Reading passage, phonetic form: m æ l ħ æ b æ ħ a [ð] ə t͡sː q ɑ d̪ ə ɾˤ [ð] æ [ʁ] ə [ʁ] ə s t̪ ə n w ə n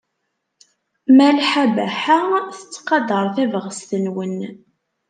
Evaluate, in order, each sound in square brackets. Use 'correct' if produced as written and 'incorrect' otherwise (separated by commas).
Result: incorrect, incorrect, incorrect, correct